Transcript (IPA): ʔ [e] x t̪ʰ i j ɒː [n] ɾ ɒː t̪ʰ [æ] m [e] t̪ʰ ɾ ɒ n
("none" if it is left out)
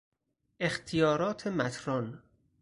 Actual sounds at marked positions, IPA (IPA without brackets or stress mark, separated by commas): e, none, e, æ